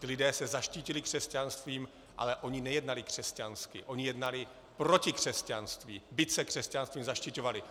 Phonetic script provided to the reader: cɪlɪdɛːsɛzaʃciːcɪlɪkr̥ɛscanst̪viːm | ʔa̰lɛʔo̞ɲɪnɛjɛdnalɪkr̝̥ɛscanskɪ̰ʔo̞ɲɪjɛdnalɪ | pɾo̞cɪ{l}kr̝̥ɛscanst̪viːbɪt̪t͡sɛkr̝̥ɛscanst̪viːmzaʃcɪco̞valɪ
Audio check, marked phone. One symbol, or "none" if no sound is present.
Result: none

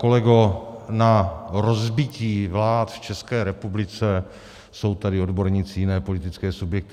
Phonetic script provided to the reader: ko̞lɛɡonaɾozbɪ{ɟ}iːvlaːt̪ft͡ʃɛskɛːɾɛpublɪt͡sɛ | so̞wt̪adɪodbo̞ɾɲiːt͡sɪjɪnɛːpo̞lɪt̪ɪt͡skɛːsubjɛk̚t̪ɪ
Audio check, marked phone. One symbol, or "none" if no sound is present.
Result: c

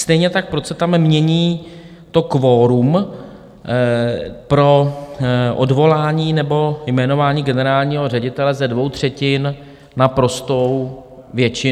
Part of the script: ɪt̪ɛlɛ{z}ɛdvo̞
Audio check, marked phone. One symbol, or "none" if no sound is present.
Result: z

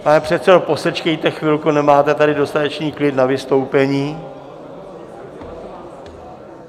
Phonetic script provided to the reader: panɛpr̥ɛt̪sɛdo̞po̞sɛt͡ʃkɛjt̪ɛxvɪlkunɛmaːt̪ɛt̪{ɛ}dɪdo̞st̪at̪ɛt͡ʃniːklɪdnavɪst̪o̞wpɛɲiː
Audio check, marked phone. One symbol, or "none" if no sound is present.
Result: a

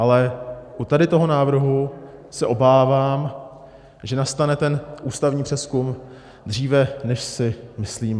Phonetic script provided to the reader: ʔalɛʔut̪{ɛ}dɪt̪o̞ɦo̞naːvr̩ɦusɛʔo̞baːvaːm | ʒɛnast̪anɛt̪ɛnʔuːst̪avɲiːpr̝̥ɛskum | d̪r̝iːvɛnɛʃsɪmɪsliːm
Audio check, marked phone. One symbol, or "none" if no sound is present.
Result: a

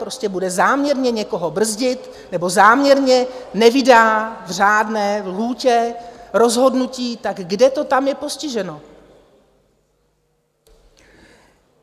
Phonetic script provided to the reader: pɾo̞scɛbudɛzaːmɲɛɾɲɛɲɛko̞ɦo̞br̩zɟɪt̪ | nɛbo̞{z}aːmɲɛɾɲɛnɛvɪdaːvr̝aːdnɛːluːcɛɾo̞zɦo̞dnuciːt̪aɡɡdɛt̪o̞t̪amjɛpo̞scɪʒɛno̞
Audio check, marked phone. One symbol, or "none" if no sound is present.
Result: z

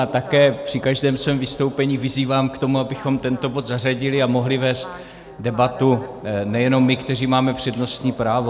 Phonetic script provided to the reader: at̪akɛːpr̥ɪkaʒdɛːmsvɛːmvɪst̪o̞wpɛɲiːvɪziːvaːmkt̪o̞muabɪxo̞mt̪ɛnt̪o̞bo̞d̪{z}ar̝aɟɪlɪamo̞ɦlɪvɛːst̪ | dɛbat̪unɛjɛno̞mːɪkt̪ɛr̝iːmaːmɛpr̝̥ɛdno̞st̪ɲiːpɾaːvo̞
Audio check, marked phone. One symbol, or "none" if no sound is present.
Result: z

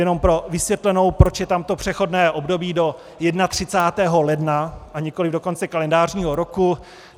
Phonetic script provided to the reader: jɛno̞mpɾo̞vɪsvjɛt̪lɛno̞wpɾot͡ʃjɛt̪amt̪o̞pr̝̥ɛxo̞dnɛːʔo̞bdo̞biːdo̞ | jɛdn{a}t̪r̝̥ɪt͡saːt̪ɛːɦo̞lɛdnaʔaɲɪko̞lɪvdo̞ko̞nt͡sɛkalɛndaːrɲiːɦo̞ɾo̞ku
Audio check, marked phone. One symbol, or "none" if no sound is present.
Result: a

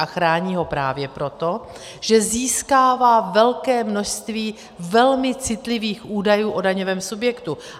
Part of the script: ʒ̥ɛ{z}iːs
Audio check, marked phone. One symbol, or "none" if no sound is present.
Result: z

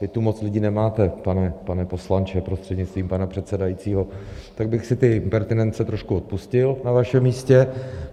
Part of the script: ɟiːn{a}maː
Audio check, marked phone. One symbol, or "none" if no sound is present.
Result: ɛ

